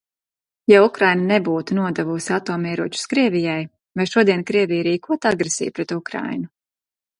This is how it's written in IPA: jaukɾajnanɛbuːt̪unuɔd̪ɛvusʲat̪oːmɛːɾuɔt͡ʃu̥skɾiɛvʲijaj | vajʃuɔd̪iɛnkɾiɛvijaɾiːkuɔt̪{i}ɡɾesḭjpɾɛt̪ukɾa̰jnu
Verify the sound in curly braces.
incorrect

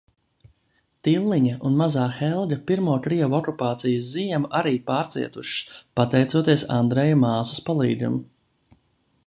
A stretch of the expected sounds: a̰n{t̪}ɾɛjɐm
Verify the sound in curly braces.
incorrect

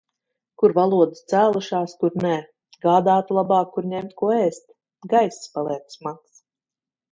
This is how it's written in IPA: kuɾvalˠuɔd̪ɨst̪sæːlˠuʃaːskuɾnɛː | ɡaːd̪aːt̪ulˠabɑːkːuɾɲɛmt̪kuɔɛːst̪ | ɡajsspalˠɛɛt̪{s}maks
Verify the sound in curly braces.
correct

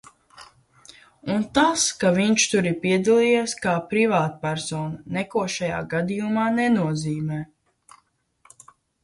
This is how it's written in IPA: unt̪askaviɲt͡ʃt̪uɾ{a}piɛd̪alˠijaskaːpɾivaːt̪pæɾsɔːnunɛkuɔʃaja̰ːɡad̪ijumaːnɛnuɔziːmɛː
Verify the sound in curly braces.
incorrect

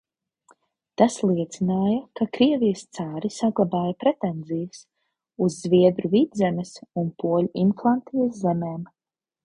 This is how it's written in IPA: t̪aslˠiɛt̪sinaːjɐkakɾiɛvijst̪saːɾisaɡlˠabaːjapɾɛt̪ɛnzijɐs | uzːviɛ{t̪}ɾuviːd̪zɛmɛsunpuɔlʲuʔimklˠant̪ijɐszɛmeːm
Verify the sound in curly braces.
incorrect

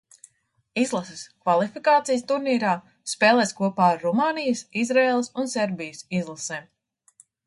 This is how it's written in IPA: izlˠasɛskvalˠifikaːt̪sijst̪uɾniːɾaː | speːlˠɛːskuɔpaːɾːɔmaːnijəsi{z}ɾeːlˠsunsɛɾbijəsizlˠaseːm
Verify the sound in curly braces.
correct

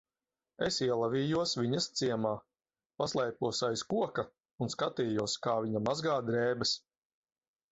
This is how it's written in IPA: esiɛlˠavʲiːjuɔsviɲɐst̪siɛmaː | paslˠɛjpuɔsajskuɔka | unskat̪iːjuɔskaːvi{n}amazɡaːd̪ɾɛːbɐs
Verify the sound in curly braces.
incorrect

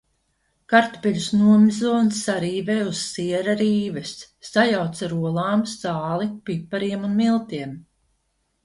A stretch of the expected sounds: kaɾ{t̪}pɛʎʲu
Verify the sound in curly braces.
correct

